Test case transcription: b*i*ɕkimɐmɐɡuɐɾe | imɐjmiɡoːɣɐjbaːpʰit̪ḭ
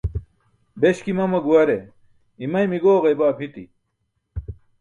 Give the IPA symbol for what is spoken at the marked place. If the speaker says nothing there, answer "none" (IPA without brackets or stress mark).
e